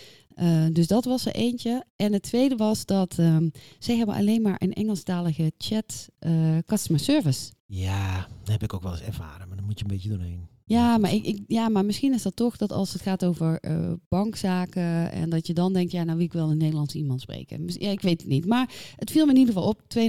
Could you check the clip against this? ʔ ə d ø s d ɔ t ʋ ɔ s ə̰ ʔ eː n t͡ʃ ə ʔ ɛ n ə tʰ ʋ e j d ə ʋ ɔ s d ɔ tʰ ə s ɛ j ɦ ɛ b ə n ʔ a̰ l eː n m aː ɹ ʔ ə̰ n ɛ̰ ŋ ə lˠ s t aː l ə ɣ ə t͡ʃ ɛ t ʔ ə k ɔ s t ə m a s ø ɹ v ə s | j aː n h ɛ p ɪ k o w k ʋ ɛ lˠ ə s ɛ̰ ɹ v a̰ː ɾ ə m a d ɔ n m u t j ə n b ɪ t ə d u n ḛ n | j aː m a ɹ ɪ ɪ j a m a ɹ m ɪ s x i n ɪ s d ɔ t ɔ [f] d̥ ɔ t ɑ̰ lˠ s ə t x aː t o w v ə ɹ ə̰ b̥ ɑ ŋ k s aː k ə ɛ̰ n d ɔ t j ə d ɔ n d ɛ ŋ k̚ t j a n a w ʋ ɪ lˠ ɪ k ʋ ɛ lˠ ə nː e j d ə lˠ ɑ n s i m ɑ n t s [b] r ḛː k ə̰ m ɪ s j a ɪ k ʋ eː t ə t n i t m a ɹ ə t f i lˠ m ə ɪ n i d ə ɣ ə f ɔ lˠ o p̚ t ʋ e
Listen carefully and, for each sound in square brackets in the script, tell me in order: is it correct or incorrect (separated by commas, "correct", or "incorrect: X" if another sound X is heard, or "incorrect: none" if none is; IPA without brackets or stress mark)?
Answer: incorrect: x, incorrect: p